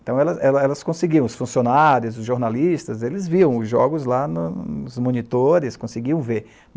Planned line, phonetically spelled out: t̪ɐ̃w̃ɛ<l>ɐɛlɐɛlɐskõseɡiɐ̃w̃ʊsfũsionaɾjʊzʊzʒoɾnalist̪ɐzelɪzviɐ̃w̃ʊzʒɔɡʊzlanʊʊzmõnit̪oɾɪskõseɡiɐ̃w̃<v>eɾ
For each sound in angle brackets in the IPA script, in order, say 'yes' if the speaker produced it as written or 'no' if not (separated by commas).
yes, yes